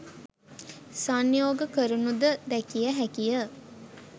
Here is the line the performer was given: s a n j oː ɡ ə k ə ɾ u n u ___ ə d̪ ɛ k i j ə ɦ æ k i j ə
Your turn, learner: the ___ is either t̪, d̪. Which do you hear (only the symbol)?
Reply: d̪